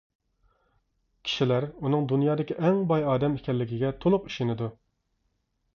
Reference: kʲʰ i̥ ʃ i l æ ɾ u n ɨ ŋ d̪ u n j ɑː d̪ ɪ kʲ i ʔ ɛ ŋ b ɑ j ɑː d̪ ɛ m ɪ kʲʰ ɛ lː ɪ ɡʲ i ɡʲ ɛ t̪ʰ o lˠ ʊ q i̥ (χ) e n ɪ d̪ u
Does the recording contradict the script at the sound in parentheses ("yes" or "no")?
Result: yes